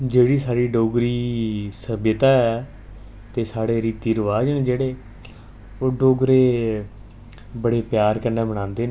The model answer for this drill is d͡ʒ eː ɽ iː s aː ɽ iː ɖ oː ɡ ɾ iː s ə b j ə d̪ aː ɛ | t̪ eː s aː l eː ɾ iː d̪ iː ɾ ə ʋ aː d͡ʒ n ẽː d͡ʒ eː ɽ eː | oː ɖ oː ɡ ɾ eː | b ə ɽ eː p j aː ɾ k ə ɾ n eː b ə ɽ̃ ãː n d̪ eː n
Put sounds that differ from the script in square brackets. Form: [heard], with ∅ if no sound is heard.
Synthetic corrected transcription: d͡ʒ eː ɽ iː s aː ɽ iː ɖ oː ɡ ɾ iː s ə b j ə [t̪] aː ɛ | t̪ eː s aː [ɽ] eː ɾ iː [t̪] iː ɾ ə ʋ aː d͡ʒ n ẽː d͡ʒ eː ɽ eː | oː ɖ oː ɡ ɾ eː | b ə ɽ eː p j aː ɾ k ə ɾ n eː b ə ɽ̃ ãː n d̪ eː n